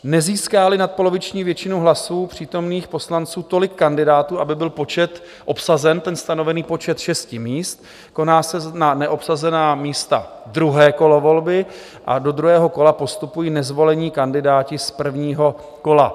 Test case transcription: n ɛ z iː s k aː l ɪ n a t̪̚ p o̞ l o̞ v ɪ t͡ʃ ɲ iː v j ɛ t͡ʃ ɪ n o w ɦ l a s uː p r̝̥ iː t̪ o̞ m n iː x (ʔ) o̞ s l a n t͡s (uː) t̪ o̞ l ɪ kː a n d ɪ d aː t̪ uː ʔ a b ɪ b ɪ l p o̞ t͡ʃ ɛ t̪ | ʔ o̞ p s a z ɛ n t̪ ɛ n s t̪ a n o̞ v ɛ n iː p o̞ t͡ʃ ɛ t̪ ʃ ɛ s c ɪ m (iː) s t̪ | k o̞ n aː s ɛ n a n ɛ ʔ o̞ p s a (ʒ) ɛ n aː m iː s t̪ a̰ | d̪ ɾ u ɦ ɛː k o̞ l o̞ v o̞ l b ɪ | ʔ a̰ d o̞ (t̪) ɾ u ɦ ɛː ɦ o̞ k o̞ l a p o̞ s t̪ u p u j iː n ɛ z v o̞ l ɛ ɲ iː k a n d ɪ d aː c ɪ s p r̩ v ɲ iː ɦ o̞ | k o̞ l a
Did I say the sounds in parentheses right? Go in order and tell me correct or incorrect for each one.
incorrect: p, correct, correct, incorrect: z, incorrect: d̪

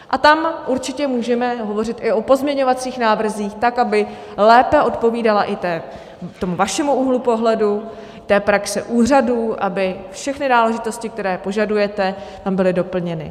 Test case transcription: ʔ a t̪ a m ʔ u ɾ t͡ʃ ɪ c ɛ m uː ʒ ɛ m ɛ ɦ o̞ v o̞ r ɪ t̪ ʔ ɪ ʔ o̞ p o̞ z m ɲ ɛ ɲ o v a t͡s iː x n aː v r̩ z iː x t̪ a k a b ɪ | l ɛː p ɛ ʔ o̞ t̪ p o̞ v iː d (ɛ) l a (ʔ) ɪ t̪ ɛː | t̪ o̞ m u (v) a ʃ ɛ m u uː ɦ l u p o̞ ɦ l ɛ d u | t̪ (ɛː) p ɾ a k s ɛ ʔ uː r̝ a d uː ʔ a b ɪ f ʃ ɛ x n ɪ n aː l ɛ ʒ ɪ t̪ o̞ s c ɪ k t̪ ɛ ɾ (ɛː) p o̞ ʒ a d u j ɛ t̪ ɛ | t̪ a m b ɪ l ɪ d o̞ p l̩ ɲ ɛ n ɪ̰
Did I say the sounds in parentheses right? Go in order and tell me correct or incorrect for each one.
incorrect: a, correct, correct, correct, correct

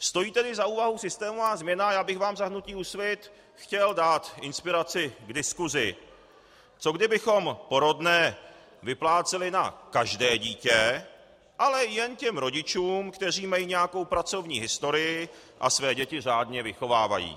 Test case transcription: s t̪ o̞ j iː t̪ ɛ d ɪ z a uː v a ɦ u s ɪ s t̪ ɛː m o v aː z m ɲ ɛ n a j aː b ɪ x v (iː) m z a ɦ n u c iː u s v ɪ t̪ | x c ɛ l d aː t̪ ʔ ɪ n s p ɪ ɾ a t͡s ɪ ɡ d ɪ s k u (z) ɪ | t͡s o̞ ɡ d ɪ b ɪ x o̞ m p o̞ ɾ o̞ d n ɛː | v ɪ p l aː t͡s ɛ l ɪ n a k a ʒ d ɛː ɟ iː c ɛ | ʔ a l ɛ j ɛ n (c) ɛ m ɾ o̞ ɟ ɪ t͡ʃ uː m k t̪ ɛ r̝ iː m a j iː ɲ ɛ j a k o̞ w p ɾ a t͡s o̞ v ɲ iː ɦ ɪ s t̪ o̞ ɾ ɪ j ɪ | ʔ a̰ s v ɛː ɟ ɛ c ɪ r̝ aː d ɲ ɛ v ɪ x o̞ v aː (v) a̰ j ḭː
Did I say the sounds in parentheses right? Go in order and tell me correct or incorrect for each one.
incorrect: aː, correct, correct, correct

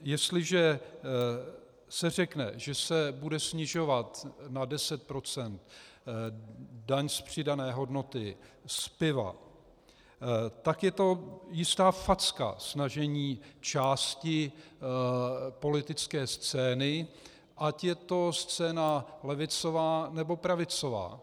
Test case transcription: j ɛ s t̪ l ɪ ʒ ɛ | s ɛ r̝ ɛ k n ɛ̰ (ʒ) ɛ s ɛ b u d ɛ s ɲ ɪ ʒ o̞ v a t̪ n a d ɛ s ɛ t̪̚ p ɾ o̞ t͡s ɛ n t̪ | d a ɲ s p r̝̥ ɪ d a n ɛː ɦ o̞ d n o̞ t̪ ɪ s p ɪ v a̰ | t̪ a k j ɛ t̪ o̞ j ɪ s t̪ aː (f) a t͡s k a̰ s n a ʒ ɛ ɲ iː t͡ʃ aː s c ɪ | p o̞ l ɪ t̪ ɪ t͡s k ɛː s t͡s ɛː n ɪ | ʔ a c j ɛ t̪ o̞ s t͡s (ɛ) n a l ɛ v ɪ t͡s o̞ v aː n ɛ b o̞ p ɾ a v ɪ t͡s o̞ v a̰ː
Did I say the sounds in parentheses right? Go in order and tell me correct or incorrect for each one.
correct, correct, incorrect: ɛː

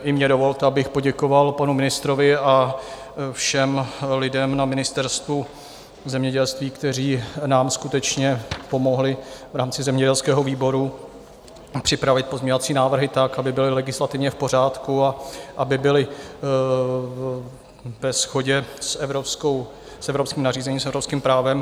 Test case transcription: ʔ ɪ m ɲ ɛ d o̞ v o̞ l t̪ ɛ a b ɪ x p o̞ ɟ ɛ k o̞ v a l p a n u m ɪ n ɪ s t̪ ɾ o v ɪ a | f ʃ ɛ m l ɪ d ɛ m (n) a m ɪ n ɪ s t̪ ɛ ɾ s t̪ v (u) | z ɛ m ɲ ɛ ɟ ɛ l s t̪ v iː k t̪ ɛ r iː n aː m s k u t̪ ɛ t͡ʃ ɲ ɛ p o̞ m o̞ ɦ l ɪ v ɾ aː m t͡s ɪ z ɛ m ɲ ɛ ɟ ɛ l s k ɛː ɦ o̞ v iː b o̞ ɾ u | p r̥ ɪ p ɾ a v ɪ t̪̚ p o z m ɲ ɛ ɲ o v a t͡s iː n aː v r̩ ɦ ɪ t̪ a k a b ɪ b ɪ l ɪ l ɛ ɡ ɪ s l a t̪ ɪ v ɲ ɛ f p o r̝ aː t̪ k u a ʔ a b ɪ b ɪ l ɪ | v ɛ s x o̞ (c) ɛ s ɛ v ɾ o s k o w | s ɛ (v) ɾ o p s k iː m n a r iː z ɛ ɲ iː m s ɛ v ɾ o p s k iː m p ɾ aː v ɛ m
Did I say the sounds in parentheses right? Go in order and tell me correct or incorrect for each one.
correct, correct, incorrect: ɟ, correct

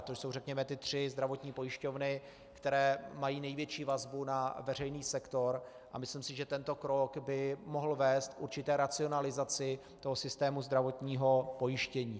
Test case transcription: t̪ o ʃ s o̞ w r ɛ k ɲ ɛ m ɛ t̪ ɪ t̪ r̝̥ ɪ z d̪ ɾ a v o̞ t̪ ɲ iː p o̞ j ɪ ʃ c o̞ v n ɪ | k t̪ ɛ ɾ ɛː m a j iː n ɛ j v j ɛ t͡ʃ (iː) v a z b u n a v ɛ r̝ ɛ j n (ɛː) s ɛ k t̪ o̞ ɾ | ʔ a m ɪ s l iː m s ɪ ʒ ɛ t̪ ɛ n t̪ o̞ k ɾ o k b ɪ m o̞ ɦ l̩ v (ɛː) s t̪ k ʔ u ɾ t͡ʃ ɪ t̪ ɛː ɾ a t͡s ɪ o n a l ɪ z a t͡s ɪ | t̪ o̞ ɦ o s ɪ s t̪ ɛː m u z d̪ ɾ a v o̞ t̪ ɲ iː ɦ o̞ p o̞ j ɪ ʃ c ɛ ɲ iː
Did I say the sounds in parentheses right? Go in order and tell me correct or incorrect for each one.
correct, incorrect: iː, correct

